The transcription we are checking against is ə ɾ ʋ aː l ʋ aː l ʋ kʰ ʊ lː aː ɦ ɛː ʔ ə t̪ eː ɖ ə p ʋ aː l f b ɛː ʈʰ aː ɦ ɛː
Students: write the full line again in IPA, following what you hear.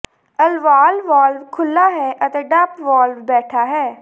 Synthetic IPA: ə l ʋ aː l ʋ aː l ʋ kʰ ʊ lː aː ɦ ɛː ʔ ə t̪ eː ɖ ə p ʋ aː l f b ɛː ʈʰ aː ɦ ɛː